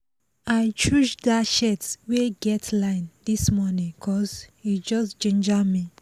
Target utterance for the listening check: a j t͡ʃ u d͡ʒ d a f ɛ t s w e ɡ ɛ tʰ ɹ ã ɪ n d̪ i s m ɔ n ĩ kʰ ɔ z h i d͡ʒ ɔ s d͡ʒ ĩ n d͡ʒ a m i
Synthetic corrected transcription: a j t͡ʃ u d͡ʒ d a ʃ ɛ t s w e ɡ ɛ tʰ l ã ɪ n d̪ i s m ɔ n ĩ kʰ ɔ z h i d͡ʒ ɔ s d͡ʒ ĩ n d͡ʒ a m i